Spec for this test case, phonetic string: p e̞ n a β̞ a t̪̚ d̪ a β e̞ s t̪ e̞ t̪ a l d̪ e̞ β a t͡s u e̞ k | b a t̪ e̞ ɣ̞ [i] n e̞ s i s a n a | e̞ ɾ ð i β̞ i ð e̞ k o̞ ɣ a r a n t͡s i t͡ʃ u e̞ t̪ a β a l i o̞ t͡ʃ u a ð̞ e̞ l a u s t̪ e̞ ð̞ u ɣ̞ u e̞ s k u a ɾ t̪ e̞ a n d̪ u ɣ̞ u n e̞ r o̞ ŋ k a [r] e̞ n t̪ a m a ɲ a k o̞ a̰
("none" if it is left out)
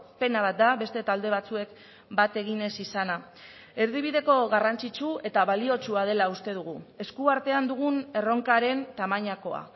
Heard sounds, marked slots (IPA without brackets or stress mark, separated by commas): i, ɾ